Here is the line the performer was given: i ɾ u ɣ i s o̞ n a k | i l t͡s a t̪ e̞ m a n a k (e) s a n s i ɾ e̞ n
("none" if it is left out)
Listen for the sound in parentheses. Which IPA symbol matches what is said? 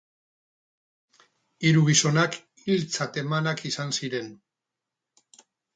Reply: i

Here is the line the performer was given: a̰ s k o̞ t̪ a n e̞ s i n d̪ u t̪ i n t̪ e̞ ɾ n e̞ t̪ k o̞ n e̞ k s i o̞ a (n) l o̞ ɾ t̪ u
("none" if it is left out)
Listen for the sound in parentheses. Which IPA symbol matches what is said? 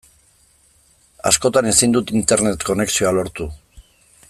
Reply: none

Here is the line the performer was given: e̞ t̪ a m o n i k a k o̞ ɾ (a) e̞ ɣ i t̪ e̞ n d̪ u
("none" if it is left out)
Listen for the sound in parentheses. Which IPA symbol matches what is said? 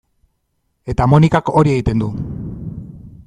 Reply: i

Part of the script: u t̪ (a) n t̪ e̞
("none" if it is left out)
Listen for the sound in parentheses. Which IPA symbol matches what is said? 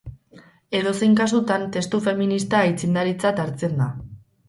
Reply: a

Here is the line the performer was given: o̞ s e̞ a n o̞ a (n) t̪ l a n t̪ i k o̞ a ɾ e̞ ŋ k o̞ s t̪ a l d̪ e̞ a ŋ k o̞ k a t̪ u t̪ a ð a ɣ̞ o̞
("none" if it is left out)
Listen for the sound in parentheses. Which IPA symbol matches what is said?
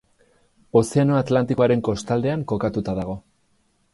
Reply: none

